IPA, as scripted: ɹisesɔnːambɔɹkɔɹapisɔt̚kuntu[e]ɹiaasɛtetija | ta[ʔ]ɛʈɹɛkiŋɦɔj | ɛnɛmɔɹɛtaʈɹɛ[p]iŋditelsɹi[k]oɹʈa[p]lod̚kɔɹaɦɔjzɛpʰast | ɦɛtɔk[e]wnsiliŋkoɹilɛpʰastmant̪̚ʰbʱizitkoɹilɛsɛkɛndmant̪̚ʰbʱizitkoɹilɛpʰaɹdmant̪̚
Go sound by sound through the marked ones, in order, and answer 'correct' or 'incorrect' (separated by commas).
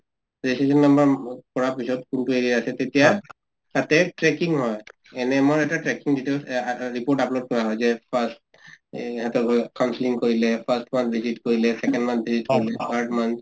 correct, incorrect, incorrect, incorrect, correct, incorrect